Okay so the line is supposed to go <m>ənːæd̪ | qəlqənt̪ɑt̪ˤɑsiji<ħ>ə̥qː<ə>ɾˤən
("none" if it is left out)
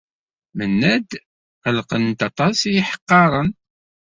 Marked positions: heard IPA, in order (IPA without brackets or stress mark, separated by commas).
m, ħ, ɑ